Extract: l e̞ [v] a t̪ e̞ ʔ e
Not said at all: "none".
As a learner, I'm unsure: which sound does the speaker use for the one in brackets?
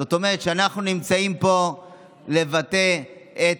v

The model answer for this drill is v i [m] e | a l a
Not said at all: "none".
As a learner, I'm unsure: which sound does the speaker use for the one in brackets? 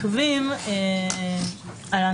m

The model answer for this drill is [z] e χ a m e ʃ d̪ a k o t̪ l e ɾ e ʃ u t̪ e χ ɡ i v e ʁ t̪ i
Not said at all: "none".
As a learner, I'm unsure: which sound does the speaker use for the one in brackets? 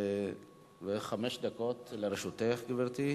v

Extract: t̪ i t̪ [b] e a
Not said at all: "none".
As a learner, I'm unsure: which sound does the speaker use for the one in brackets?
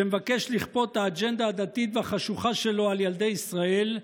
v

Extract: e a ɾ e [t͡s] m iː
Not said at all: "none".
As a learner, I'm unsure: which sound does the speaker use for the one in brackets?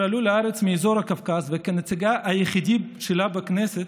t͡s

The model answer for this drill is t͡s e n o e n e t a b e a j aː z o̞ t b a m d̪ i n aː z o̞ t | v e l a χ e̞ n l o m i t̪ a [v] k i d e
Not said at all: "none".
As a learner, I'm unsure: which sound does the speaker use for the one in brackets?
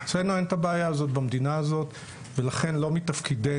f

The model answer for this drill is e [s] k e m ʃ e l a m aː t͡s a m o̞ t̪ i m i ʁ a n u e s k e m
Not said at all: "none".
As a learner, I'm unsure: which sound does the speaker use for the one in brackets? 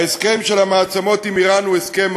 s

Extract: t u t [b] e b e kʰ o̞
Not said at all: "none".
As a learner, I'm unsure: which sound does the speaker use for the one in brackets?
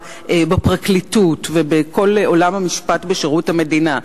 v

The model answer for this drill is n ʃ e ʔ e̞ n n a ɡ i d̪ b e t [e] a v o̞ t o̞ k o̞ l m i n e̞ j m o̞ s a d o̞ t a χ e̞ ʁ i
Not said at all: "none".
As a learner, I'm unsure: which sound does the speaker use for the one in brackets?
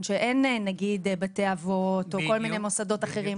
e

